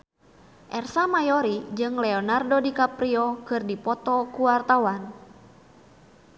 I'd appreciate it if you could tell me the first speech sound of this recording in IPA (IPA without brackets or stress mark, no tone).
ʔ